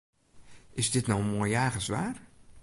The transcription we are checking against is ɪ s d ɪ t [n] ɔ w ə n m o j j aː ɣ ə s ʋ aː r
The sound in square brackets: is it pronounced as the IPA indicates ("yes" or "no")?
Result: yes